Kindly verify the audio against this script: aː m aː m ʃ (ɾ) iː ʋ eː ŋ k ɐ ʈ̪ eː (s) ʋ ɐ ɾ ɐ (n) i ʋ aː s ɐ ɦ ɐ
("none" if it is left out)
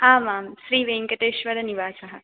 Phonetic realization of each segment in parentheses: ɾ, ʃ, n

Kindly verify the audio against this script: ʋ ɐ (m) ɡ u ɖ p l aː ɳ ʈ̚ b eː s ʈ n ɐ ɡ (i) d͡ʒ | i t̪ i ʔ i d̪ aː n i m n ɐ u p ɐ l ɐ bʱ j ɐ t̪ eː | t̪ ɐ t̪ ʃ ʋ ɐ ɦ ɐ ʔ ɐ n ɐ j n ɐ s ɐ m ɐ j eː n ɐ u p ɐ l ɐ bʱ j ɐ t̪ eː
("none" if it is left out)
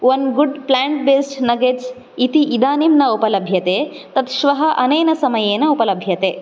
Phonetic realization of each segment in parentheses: n, e

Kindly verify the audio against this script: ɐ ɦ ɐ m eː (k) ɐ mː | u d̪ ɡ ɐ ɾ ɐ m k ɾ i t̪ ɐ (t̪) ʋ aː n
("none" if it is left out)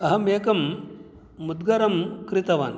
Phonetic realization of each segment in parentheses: k, none

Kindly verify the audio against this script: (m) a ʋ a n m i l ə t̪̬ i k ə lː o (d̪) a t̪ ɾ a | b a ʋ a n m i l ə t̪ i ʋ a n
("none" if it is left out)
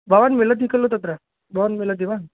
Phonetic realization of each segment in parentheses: b, t̪

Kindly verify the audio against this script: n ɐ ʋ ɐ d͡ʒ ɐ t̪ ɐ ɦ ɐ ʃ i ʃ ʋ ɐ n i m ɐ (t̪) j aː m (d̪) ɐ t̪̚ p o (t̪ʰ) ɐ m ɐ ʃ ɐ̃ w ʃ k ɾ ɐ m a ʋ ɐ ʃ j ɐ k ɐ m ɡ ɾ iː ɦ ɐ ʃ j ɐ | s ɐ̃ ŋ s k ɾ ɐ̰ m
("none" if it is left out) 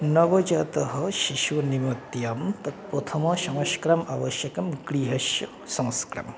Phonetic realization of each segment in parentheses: t̪, t̪, t̪ʰ

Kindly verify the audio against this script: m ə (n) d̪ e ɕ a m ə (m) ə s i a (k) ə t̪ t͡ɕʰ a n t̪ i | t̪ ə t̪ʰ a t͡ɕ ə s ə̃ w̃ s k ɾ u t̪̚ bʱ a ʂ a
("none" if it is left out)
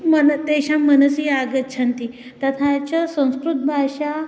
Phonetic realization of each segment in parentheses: n, n, ɡ

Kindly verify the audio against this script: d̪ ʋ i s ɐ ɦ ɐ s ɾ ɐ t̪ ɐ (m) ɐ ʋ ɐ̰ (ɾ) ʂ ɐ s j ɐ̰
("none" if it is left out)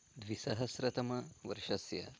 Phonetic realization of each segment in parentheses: m, ɾ

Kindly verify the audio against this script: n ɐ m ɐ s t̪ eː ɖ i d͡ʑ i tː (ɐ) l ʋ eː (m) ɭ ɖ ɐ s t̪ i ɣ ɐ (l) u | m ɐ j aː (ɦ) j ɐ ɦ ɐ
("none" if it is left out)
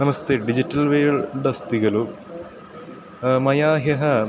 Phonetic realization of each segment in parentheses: ɐ, none, l, ɦ

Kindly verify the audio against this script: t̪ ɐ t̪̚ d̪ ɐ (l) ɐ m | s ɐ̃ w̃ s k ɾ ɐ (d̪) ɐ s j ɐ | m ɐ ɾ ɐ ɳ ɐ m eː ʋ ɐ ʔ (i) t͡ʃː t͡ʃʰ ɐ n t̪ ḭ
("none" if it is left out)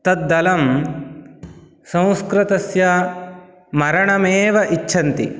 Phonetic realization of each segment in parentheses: l, t̪, i

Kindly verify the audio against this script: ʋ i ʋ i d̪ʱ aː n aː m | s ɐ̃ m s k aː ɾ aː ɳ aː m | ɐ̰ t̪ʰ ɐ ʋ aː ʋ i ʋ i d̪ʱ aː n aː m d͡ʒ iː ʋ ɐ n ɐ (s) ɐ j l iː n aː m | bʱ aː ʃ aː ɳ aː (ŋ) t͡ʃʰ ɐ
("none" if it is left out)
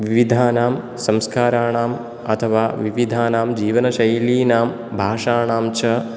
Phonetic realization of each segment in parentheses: ʃ, m

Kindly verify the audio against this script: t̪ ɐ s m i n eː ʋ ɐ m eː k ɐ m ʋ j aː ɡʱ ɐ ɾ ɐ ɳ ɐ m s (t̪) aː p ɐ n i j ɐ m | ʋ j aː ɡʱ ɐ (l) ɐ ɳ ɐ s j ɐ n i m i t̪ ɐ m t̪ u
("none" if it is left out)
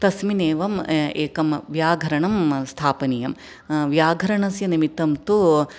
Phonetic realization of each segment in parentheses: t̪ʰ, ɾ

